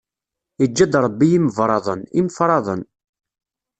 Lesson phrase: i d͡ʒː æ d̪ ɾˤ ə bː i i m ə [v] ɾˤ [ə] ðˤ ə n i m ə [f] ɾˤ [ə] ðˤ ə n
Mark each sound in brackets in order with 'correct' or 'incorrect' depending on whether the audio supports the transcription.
correct, incorrect: ɑ, correct, incorrect: ɑ

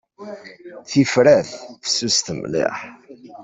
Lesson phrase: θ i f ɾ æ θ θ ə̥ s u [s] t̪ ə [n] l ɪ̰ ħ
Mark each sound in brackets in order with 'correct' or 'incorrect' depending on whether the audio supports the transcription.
correct, incorrect: m

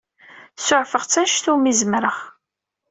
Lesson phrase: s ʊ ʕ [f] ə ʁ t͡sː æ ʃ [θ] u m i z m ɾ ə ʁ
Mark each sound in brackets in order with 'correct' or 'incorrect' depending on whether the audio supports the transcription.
correct, correct

